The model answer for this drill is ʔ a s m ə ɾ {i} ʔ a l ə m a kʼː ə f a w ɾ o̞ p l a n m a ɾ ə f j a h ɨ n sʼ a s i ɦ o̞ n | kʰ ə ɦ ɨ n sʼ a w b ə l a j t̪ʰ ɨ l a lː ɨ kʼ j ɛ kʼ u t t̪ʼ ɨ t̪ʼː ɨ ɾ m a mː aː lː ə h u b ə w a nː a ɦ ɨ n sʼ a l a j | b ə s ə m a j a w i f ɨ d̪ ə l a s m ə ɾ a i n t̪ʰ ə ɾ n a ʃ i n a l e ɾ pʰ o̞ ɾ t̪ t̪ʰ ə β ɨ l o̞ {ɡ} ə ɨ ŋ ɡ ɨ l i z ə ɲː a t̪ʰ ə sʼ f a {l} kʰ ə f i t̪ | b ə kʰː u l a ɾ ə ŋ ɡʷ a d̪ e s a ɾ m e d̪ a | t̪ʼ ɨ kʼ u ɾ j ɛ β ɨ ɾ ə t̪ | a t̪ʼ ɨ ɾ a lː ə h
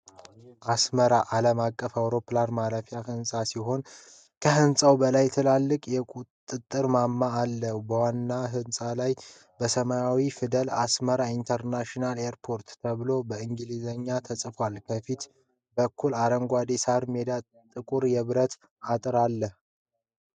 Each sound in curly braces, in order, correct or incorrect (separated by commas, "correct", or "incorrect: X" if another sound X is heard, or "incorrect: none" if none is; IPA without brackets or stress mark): incorrect: a, incorrect: b, correct